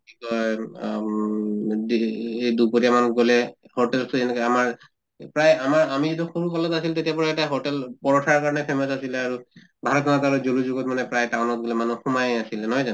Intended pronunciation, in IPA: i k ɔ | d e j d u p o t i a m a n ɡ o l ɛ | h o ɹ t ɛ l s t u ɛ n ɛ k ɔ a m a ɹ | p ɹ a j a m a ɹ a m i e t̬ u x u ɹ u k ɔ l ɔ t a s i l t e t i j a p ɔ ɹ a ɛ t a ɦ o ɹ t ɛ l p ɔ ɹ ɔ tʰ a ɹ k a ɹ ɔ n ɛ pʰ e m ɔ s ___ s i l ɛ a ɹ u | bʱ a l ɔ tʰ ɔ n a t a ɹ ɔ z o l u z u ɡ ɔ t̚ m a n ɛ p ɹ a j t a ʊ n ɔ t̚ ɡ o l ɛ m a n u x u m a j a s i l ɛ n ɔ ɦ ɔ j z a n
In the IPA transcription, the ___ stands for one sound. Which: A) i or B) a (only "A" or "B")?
B